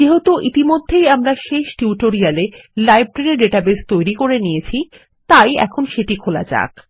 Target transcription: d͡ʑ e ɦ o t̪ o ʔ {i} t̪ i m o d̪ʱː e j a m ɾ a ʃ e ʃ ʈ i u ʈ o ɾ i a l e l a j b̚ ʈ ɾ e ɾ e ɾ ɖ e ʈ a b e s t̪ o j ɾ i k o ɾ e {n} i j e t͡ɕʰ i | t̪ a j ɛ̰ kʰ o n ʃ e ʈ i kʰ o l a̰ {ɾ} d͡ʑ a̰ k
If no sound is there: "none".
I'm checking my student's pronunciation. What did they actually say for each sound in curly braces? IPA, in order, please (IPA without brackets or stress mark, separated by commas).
i, n, none